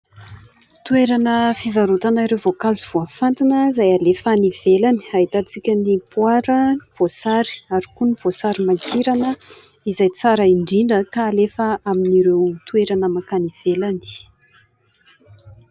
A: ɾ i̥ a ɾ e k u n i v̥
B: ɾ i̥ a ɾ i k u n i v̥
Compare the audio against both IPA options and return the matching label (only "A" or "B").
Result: B